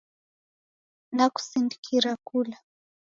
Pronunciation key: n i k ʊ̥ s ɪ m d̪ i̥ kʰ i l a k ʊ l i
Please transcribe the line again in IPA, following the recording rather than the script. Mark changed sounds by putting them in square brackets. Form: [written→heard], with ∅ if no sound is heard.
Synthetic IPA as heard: n [i→a] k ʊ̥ s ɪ [m→n] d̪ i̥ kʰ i [l→ɾ] a k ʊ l [i→a]

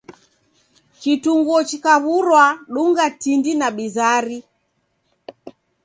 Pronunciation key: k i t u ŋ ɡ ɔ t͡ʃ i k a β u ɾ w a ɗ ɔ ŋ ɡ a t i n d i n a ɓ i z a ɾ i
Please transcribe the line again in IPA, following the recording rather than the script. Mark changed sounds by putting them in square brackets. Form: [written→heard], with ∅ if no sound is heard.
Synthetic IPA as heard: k i t u ŋ ɡ ɔ t͡ʃ i k a β u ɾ w a ɗ [ɔ→u] ŋ ɡ a t i n d i n a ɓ i z a ɾ i

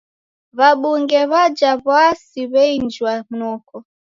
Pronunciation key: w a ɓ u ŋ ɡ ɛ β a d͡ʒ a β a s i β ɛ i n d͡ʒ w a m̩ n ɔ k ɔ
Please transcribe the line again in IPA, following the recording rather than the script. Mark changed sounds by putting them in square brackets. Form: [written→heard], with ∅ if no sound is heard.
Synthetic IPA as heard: [w→β] a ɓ u ŋ ɡ ɛ β a d͡ʒ a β a s i β ɛ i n d͡ʒ w a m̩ n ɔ k ɔ

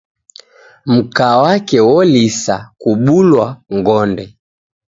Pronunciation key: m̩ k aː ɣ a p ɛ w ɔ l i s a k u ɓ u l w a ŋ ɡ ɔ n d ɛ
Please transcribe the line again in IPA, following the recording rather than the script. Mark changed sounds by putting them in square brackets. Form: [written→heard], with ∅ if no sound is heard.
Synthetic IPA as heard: m̩ k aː [ɣ→w] a [p→k] ɛ w ɔ l i s a k u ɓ u l w a ŋ ɡ ɔ n d ɛ

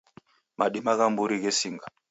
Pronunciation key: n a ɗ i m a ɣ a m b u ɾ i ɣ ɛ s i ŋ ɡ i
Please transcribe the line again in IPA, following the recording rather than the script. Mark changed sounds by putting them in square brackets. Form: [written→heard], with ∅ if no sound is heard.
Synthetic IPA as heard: [n→m] a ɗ i m a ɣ a m b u ɾ i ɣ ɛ s i ŋ ɡ [i→a]

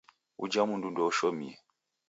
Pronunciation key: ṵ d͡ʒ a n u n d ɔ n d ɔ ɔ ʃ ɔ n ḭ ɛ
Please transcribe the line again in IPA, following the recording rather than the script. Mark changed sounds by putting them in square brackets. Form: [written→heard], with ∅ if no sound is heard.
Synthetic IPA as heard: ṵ d͡ʒ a [n→m] u n d [ɔ→u] n d ɔ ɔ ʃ ɔ [n→m] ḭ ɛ

